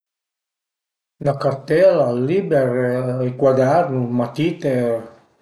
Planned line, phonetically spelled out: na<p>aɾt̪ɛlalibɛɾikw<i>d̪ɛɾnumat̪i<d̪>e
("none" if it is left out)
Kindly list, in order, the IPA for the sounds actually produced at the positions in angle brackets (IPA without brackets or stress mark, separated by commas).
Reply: k, a, t̪